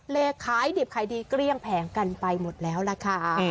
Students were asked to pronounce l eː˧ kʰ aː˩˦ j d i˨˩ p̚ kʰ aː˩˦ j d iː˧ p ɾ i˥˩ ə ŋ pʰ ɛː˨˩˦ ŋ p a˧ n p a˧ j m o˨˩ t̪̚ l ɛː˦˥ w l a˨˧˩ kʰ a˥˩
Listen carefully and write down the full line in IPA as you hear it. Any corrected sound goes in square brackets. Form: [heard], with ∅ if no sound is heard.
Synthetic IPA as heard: l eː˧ kʰ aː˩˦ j d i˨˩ p̚ kʰ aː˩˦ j d iː˧ [k] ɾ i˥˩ ə ŋ pʰ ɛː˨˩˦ ŋ [k] a˧ n p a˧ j m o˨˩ t̪̚ l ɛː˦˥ w l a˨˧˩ kʰ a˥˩